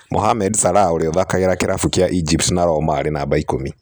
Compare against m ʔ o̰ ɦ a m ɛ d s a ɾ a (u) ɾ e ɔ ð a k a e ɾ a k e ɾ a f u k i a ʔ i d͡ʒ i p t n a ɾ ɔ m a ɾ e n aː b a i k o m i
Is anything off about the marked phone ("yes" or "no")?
yes